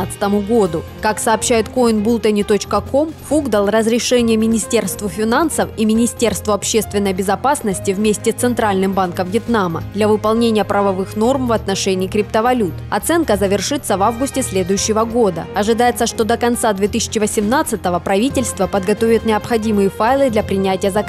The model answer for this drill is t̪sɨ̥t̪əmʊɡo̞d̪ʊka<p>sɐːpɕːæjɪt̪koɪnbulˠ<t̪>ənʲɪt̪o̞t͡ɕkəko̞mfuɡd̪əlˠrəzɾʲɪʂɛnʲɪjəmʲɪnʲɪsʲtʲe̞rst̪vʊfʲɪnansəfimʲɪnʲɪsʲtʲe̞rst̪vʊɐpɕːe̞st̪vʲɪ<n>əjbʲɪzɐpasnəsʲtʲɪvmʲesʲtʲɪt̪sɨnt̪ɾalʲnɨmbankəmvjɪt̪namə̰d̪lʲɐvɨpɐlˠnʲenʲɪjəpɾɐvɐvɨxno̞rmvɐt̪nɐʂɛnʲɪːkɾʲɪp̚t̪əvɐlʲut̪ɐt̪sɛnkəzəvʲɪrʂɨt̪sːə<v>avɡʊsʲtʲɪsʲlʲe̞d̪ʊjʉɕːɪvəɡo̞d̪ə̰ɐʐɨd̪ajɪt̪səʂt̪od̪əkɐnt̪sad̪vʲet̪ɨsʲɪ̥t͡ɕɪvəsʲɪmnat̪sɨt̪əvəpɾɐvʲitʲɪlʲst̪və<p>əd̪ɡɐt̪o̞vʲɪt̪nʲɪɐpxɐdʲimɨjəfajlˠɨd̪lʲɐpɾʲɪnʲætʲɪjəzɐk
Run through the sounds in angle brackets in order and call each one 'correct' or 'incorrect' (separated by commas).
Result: incorrect, correct, incorrect, correct, correct